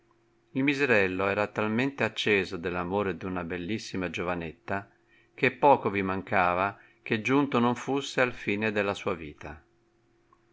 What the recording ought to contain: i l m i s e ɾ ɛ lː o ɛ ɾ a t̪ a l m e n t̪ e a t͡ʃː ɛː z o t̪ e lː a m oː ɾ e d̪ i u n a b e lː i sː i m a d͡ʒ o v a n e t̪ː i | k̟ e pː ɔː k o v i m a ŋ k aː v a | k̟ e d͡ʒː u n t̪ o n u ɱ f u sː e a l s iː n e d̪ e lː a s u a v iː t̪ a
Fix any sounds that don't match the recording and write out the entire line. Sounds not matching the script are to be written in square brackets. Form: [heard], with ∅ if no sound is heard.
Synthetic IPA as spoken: i l m i [z] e ɾ ɛ lː o [ɛː] ɾ a t̪ a l m e n t̪ e a t͡ʃː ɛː z o [d̪] e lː a m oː ɾ e d̪ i u n a b e lː i sː i m a d͡ʒ o v a n e t̪ː [a] | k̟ e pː ɔː k o v i m a ŋ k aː v a | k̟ e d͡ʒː u n t̪ o n [o] ɱ f u sː e a l [f] iː n e d̪ e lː a s [uː] a v iː t̪ a